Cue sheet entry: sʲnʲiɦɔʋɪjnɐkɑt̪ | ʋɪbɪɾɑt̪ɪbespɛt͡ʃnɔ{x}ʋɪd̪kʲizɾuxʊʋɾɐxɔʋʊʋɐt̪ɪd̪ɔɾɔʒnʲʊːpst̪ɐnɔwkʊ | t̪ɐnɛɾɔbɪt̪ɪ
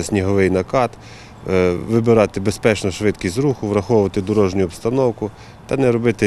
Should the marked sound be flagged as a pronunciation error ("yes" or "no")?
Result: yes